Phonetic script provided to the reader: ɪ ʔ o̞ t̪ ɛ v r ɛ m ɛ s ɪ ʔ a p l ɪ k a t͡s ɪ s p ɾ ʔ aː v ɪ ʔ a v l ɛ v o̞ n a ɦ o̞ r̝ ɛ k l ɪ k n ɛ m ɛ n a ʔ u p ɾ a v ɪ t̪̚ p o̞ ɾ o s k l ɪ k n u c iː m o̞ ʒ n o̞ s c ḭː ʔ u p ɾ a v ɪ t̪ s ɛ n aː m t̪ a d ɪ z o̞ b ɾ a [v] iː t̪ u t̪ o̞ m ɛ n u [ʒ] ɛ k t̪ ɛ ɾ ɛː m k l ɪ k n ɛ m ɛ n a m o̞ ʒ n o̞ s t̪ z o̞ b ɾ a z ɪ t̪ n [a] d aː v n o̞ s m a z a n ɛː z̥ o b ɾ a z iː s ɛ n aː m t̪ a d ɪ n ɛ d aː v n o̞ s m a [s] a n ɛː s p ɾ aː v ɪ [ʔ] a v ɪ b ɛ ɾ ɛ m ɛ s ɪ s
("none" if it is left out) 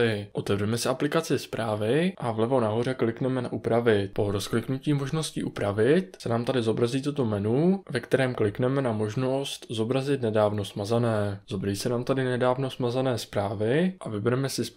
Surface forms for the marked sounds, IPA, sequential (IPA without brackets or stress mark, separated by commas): z, v, ɛ, z, ʔ